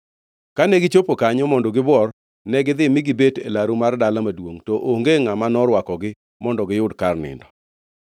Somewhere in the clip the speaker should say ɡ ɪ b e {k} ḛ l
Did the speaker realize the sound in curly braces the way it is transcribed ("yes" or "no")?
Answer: no